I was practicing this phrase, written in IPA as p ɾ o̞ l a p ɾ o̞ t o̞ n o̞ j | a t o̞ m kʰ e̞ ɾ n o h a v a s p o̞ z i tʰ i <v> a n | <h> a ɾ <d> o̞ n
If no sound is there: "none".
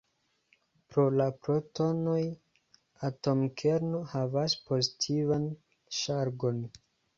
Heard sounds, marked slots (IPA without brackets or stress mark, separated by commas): v, ʃ, ɡ